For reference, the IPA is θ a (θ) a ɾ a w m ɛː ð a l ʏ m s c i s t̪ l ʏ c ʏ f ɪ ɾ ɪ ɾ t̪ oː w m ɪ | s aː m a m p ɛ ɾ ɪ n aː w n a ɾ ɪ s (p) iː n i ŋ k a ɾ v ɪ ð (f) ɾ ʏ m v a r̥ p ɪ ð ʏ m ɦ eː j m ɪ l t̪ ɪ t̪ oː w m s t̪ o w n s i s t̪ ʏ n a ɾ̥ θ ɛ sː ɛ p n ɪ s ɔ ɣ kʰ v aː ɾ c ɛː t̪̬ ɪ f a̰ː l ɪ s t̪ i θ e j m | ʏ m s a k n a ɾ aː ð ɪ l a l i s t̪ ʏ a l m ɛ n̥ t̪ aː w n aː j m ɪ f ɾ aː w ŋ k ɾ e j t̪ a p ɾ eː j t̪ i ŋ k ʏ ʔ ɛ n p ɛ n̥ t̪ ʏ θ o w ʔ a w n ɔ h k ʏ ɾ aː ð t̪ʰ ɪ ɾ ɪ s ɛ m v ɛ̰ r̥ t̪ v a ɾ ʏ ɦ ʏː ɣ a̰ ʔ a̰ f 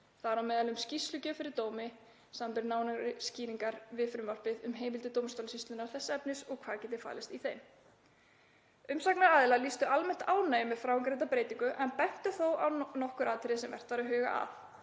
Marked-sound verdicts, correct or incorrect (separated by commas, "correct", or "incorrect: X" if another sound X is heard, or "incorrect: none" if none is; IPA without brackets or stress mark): incorrect: ð, incorrect: c, correct